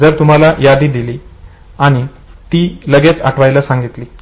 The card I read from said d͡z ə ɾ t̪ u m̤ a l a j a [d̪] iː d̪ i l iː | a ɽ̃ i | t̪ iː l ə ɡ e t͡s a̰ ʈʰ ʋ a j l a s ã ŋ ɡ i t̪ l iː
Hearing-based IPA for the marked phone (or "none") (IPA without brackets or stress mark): d̪